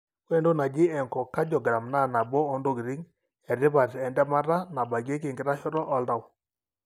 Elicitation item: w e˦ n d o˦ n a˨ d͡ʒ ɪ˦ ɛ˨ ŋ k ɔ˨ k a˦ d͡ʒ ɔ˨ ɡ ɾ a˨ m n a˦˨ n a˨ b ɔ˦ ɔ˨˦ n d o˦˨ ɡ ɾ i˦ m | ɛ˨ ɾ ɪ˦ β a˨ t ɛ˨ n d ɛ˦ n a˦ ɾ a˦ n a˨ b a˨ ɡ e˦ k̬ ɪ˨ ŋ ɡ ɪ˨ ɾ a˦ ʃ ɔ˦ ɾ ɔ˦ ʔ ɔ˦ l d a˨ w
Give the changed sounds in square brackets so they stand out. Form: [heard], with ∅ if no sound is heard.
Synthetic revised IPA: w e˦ n d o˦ n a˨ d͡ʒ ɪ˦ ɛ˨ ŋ k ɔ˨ k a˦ d͡ʒ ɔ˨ ɡ ɾ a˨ m n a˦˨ n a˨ b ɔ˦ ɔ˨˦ n d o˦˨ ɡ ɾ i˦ [ŋ] | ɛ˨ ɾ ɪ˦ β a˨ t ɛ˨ n d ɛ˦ [m] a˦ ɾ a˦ n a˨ b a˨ ɡ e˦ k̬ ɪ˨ ŋ ɡ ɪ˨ ɾ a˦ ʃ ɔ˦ ɾ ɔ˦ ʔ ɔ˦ l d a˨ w